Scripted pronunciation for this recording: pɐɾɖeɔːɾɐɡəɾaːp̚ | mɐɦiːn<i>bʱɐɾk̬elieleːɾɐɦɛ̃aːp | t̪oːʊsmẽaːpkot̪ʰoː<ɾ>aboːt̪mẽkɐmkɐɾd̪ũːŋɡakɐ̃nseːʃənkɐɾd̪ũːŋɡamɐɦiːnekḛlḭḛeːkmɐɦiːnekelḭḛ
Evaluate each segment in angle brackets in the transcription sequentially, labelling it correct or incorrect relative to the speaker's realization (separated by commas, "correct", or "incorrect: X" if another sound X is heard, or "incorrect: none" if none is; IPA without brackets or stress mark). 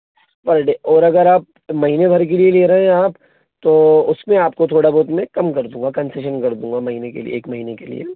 incorrect: e, incorrect: ɽ